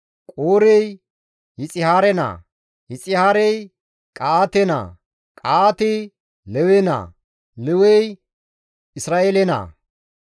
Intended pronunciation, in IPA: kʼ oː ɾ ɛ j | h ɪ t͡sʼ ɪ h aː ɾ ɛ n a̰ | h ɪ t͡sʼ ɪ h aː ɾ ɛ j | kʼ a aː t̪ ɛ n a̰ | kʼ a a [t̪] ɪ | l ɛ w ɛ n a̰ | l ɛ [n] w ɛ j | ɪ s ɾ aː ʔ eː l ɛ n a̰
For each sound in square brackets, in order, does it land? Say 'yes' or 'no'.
yes, no

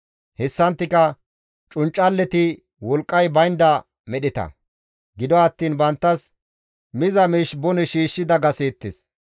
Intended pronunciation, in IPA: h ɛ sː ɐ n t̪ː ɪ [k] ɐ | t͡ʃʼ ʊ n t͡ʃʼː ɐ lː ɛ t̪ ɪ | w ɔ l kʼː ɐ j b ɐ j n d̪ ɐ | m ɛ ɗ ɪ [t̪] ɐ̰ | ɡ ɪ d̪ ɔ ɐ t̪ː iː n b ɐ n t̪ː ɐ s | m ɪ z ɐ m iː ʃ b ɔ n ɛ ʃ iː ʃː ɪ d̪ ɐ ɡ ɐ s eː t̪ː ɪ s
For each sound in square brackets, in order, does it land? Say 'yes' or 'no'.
yes, yes

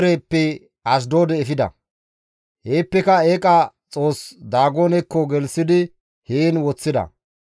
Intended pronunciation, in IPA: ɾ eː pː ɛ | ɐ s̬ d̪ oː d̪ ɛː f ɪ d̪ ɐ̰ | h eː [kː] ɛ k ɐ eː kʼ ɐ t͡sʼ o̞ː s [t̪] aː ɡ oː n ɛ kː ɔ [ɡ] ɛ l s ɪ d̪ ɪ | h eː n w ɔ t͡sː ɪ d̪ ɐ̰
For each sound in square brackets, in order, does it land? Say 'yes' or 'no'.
no, no, yes

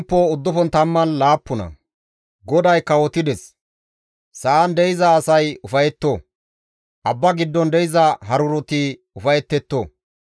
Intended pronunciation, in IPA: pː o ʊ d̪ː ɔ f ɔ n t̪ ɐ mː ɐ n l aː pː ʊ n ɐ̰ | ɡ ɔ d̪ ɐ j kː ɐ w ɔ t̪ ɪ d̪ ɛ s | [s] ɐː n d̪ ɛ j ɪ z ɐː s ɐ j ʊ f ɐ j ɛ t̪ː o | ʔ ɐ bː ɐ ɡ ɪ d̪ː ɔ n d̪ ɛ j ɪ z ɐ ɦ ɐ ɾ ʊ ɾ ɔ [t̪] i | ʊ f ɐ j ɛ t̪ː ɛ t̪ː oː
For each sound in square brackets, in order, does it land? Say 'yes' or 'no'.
yes, yes

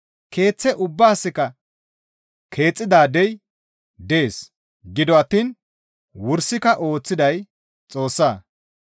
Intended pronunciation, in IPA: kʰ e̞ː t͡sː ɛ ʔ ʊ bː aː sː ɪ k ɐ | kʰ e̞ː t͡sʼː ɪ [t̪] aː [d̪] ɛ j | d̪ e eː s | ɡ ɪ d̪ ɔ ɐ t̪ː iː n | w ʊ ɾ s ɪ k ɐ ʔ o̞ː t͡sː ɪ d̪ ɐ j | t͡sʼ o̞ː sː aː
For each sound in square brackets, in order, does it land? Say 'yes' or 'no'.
no, yes

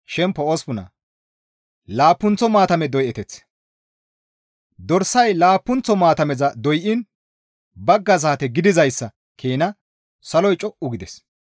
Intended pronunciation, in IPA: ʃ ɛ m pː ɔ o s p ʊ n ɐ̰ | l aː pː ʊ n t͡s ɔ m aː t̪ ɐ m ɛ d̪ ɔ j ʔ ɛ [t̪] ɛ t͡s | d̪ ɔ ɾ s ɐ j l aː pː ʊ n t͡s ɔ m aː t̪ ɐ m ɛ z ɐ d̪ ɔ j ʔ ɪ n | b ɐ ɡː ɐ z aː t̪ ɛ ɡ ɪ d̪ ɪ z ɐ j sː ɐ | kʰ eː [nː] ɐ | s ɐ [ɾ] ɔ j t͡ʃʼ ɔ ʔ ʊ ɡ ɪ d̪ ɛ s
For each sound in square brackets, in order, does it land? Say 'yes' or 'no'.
yes, no, no

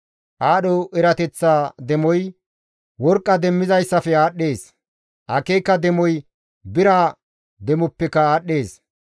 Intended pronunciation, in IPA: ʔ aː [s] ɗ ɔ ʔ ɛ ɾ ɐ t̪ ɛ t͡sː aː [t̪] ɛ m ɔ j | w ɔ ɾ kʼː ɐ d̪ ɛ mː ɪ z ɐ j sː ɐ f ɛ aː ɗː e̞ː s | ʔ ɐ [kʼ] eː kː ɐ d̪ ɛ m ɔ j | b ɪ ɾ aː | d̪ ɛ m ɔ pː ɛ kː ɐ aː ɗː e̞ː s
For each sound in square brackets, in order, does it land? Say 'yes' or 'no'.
no, no, no

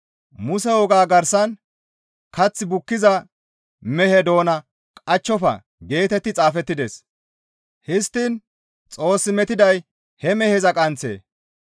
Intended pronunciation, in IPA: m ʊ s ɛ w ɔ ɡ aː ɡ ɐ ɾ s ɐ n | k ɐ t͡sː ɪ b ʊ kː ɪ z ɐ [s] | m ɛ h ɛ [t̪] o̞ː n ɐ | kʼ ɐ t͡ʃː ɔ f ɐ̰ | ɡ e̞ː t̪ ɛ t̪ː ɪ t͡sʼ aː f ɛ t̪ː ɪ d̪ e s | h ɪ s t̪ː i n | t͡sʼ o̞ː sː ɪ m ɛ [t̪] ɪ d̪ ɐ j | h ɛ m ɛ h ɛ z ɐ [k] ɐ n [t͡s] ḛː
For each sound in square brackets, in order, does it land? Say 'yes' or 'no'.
no, no, yes, no, yes

